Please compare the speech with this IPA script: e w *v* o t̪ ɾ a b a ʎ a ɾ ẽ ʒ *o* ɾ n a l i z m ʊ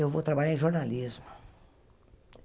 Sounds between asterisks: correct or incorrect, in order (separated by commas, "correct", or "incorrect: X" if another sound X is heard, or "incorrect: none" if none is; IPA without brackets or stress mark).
correct, correct